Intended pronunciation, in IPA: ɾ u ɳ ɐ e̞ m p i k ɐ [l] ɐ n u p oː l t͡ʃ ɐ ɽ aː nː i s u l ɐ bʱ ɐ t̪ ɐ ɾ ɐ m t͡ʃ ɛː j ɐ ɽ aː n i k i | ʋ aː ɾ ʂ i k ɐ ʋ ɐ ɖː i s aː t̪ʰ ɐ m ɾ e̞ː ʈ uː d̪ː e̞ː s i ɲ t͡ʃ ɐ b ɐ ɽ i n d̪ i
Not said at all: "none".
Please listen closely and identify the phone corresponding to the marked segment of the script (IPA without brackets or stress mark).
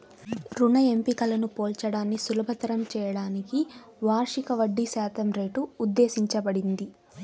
l